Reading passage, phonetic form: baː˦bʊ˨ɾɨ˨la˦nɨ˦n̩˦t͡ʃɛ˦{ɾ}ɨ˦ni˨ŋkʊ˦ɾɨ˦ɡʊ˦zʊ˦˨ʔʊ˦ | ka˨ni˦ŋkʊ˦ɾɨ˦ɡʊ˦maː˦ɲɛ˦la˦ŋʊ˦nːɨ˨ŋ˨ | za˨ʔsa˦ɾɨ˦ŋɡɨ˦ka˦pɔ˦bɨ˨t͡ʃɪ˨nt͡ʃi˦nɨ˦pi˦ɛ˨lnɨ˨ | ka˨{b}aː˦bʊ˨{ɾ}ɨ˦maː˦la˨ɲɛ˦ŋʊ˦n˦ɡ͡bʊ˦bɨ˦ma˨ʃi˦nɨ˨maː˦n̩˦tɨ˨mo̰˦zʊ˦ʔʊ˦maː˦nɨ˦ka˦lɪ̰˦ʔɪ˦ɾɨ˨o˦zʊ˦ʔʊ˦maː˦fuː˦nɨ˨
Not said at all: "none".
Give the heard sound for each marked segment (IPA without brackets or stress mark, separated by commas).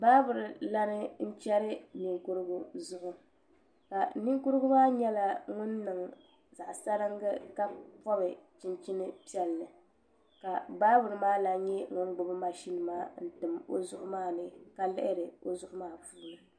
ɾ, b, ɾ